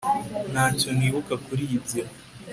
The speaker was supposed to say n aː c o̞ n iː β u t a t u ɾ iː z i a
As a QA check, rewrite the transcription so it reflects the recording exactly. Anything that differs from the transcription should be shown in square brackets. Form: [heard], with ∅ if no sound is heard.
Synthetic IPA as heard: n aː c o̞ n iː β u [k] a [k] u ɾ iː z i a